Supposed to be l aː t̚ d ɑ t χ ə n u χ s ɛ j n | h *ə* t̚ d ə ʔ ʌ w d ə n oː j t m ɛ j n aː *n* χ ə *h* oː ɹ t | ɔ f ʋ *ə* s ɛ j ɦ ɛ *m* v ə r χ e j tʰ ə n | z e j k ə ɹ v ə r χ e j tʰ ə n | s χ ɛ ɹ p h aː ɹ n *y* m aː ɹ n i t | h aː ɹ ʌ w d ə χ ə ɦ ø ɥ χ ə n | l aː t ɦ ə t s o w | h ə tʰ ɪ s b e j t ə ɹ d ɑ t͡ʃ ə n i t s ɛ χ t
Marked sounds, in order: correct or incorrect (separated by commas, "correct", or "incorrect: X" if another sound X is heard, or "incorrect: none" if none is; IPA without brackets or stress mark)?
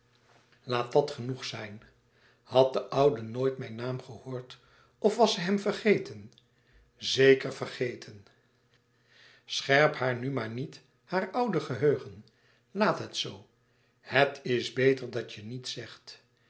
incorrect: ɑ, incorrect: m, correct, incorrect: ɑ, correct, correct